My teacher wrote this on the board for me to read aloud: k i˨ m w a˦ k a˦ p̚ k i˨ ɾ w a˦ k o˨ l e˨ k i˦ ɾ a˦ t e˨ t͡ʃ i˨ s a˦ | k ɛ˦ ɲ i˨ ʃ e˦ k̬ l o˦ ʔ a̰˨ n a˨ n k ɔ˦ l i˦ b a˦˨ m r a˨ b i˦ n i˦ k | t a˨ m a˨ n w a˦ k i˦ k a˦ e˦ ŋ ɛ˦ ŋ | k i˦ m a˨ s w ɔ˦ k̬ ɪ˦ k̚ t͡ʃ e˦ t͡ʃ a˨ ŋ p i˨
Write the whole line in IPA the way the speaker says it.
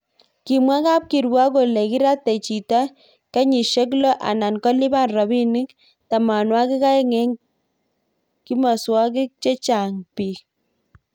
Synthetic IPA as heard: k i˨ m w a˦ k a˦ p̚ k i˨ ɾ w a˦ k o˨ l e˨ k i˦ ɾ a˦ t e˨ t͡ʃ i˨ t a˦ | k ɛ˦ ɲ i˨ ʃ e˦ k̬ l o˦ ʔ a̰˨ n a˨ n k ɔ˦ l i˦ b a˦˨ n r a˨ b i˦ n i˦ k | t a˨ m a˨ n w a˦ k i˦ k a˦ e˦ ŋ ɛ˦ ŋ | k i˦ m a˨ s w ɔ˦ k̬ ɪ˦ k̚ t͡ʃ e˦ t͡ʃ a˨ ŋ p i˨